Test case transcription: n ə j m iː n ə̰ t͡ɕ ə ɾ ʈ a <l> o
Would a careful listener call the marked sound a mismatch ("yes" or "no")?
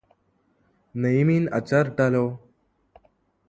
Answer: no